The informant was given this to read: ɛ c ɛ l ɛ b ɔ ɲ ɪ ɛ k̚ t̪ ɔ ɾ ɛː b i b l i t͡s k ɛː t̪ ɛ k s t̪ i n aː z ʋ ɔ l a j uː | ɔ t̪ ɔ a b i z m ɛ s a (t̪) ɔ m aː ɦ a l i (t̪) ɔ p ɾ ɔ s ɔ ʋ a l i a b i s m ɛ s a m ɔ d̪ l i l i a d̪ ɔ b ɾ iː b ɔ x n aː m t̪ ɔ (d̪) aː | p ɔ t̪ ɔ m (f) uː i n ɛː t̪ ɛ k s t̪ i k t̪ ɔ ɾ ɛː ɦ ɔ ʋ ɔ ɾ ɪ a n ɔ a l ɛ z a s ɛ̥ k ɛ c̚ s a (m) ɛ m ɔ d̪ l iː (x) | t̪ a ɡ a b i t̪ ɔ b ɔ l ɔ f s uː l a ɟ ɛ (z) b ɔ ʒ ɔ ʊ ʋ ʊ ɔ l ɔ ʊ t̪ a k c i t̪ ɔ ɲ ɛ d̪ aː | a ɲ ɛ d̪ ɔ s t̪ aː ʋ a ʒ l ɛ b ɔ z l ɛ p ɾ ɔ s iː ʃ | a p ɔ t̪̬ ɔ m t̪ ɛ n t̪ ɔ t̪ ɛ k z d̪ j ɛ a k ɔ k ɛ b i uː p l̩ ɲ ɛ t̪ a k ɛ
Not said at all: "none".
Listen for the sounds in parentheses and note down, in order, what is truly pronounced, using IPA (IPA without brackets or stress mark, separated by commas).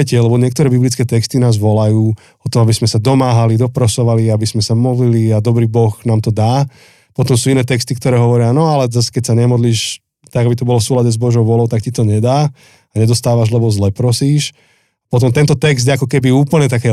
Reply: d̪, d̪, d̪, s, ɲ, ʃ, z